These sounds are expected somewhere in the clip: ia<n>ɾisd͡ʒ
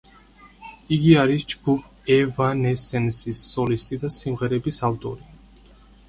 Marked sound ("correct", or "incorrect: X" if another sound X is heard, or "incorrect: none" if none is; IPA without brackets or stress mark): incorrect: none